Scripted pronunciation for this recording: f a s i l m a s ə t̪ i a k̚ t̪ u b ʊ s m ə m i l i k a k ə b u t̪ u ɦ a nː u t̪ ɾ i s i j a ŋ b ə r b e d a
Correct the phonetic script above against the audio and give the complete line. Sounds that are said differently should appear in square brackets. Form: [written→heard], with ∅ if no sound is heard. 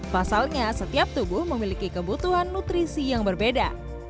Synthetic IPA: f a s [i→a] l [m→ɲ] a s ə t̪ i a [k̚→p̚] t̪ u b ʊ [s→h] m ə m i l i k [a→i] k ə b u t̪ u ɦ a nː u t̪ ɾ i s i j a ŋ b ə r b e d a